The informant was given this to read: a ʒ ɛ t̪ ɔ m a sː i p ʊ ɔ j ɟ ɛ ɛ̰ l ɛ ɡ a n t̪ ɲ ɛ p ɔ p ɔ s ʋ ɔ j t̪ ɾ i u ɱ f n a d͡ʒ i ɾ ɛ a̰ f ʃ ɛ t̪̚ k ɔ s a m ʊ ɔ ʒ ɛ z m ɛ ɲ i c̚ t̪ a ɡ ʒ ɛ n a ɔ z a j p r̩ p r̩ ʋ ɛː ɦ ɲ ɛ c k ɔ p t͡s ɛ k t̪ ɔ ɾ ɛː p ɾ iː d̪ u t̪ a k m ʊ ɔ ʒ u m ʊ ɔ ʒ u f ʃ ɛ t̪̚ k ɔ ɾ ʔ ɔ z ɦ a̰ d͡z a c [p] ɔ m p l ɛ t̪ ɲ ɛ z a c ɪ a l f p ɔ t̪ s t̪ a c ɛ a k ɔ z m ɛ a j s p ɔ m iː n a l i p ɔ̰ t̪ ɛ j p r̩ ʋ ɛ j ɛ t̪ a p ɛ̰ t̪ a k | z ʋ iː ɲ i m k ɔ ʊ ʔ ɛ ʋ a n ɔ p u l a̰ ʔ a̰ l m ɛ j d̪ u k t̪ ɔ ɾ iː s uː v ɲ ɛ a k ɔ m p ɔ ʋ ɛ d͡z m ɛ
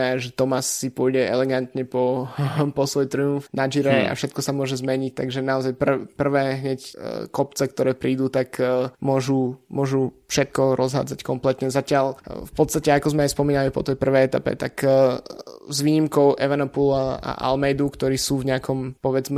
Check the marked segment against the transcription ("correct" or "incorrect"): incorrect